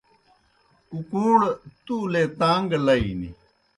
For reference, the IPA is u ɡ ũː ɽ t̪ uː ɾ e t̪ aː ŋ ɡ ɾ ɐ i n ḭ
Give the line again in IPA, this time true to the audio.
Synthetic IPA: u k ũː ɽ t̪ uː l e t̪ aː ŋ ɡ l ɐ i n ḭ